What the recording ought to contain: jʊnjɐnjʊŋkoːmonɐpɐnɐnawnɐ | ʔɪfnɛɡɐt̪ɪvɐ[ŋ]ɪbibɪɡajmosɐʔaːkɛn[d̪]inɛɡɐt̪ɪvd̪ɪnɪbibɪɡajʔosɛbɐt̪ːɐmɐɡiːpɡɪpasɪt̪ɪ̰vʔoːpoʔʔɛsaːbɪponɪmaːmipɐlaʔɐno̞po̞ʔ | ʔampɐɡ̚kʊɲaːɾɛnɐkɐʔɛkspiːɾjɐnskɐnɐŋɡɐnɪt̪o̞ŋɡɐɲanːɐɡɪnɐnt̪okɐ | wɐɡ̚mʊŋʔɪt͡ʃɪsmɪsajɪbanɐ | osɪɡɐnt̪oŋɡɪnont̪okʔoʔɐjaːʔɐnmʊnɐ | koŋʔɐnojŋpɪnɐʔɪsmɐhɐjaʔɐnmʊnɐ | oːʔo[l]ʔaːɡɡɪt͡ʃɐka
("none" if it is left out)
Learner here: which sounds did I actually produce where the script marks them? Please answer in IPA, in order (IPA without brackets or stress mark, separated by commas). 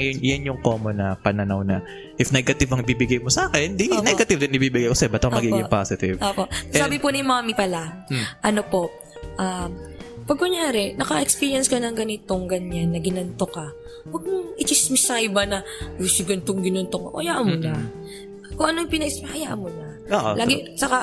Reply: ŋ, d̪, l